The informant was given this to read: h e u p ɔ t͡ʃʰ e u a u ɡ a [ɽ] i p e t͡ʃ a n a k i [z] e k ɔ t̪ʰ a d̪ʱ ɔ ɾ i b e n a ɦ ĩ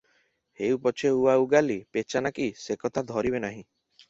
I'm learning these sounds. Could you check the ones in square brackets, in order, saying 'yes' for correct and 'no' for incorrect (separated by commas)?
no, no